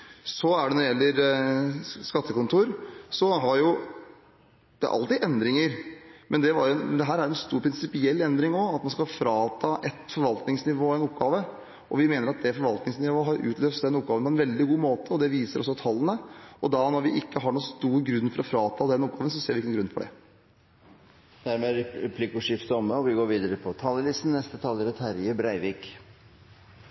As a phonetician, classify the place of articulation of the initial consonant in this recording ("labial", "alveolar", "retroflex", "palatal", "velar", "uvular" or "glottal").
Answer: alveolar